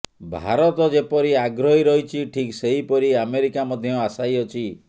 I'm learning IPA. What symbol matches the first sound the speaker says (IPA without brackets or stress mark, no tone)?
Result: bʱ